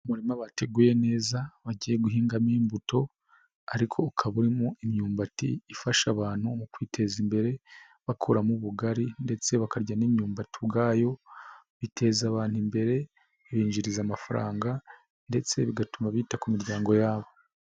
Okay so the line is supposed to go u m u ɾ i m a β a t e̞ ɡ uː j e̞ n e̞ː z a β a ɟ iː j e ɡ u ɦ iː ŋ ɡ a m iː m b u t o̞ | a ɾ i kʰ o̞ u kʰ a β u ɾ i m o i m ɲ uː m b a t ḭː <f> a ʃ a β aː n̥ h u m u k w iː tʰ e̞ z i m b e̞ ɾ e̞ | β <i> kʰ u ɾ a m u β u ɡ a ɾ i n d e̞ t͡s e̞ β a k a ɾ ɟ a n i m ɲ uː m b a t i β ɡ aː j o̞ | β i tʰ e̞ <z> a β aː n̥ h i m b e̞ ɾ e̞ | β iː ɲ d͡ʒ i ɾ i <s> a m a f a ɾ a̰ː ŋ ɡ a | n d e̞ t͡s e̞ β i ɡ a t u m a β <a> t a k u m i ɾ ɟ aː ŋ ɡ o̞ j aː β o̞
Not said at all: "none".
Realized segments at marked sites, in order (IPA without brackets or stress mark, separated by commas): f, a, z, z, i